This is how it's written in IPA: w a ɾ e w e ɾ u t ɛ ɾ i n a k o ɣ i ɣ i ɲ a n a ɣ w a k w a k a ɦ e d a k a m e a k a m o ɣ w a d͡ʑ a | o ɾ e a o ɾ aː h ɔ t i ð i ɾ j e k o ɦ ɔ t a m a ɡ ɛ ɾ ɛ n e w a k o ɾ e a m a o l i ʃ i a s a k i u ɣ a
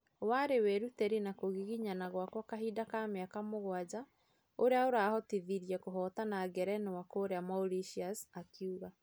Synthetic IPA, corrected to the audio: w a ɾ e w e ɾ u t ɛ ɾ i n a k o ɣ i ɣ i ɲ a n a ɣ w a k w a k a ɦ i d a k a m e a k a m o ɣ w a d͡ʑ a | o ɾ e a o ɾ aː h ɔ t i ð i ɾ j ɛ k o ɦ ɔ t a n a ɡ ɛ ɾ ɛ n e w a k o ɾ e a m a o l i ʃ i a s a k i u ɣ a